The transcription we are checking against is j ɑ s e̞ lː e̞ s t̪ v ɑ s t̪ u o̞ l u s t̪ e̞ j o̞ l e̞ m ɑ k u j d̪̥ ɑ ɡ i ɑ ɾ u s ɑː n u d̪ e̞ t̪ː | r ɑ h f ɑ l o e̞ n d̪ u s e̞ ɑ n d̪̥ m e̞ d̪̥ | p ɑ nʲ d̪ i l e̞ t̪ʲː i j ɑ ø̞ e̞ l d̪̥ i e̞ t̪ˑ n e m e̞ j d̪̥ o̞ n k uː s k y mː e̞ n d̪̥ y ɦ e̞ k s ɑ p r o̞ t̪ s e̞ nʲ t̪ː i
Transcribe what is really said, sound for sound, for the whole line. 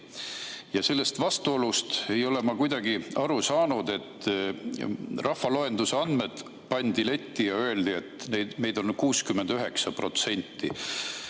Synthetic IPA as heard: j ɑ s e̞ lː e̞ s t̪ v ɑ s t̪ u o̞ l u s t̪ e̞ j o̞ l e̞ m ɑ k u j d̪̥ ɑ ɡ i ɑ ɾ u s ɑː n u d̪ e̞ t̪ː | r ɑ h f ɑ l o e̞ n d̪ u s e̞ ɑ n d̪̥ m e̞ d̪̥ | p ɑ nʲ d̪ i l e̞ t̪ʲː i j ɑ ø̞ e̞ l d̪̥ i e̞ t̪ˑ n e m e̞ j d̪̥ o̞ n k uː s k y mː e̞ n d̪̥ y ɦ e̞ k s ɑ p r o̞ t̪ s e̞ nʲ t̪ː i